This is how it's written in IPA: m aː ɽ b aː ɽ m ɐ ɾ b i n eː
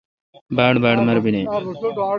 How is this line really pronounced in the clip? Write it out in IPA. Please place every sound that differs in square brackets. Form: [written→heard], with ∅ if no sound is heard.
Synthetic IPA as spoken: [m→b] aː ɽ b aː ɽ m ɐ ɾ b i n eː